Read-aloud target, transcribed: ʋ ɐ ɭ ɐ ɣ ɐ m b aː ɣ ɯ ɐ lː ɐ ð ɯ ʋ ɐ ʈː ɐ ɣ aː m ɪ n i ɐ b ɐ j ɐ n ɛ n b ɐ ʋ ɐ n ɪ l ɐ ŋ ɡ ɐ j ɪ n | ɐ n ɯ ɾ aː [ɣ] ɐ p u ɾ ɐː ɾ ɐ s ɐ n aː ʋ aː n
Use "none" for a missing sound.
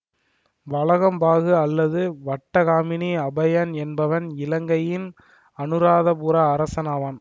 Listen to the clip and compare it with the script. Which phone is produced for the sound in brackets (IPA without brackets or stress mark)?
ð